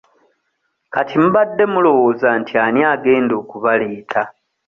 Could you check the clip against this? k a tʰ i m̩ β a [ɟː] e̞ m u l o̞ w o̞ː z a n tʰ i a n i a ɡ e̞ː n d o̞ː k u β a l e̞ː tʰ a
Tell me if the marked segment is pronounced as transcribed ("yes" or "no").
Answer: no